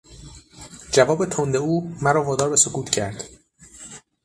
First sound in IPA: d͡ʒ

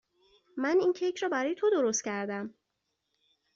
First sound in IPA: m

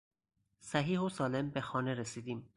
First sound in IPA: s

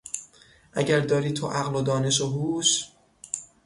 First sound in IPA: ʔ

